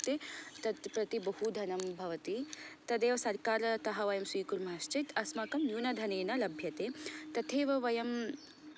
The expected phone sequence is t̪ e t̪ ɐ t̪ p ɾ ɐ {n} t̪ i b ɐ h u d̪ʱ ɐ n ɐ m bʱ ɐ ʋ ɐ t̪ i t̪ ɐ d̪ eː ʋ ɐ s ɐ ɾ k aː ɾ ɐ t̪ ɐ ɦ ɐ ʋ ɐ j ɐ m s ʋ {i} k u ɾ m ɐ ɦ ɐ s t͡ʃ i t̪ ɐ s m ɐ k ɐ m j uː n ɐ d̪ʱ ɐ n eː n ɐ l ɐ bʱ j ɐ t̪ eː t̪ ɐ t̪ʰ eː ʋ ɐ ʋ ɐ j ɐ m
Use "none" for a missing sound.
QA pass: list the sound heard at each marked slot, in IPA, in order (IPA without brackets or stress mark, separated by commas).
none, iː